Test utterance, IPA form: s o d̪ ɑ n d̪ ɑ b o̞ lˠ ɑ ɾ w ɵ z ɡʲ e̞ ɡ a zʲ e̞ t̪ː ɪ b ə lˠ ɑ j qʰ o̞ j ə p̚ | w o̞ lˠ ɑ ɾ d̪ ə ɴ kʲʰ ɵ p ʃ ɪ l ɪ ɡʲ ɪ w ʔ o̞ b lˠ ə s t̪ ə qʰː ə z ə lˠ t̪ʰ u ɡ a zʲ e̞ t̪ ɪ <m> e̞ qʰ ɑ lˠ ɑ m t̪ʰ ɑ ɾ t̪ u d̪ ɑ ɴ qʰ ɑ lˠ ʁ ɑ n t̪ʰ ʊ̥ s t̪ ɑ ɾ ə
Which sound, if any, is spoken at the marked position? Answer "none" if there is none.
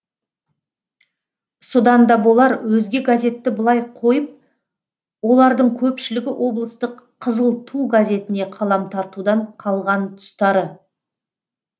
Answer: n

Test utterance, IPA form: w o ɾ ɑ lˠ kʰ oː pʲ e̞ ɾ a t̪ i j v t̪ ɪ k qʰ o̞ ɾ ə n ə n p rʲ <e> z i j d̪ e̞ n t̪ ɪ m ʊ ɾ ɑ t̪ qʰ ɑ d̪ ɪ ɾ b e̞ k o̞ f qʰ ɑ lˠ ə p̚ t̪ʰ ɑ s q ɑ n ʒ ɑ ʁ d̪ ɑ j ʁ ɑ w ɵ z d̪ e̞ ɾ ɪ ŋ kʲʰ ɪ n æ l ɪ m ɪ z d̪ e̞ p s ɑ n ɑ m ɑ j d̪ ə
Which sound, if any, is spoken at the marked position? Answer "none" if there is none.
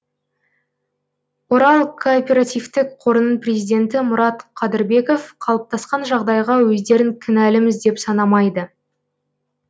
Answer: e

